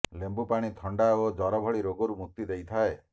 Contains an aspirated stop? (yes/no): yes